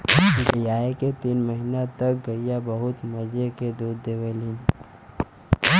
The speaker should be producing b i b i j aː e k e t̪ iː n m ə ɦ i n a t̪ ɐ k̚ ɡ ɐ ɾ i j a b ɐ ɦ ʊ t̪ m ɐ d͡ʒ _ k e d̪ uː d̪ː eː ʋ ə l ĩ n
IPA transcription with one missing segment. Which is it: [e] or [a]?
e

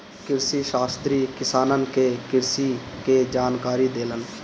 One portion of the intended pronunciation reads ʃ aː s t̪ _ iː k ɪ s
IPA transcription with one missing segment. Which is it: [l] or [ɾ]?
ɾ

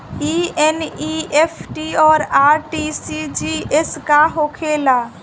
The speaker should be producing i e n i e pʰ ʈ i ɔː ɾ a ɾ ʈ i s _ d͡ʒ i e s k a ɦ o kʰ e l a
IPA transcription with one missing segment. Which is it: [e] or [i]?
i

